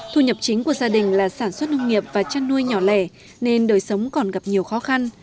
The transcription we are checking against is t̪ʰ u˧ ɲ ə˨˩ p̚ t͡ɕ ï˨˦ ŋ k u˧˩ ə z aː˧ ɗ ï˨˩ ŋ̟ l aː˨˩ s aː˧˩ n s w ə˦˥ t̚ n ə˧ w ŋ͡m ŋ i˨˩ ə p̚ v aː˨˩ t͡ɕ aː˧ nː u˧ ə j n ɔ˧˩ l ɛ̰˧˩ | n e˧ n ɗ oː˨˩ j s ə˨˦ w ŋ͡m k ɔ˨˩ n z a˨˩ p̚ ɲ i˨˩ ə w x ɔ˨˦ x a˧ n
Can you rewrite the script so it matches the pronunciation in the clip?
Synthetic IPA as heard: t̪ʰ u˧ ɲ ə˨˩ p̚ t͡ɕ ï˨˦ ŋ k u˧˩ ə z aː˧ ɗ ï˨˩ ŋ̟ l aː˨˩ s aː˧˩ n s w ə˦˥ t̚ n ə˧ w ŋ͡m ŋ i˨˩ ə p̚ v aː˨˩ t͡ɕ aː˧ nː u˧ ə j ɲ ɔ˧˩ l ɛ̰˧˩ | n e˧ n ɗ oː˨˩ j s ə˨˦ w ŋ͡m k ɔ˨˩ n ɣ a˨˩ p̚ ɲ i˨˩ ə w x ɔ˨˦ x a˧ n